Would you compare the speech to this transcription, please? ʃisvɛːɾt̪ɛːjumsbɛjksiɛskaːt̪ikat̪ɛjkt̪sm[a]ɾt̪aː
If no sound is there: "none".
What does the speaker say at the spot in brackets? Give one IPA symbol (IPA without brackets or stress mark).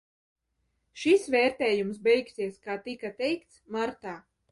a